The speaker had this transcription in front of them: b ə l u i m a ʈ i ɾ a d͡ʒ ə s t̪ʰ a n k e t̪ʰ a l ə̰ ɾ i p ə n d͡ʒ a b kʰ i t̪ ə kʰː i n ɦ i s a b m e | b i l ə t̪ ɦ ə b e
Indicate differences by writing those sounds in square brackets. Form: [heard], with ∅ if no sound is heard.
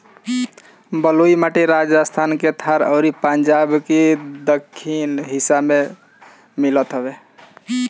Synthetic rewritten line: b ə l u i m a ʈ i ɾ a d͡ʒ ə s t̪ʰ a n k e t̪ʰ a [ɾ] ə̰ ɾ i p ə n d͡ʒ a b [k] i [d̪] ə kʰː i n ɦ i s a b m e | [m] i l ə t̪ ɦ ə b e